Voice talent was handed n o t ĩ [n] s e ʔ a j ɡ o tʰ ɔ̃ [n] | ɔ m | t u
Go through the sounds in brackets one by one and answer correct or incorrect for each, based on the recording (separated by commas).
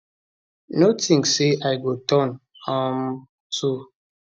incorrect, correct